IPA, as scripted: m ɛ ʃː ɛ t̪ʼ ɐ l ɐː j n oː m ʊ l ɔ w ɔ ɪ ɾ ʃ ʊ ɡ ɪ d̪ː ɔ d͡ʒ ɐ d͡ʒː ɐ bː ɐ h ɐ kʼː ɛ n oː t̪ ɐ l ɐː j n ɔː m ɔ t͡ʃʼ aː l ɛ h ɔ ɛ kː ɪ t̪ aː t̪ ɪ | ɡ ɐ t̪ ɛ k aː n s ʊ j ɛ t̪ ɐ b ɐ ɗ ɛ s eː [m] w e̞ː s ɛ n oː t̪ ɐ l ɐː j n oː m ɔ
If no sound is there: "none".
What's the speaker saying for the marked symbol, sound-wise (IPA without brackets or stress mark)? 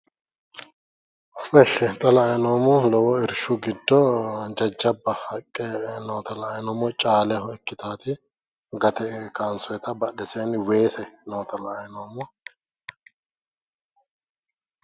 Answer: n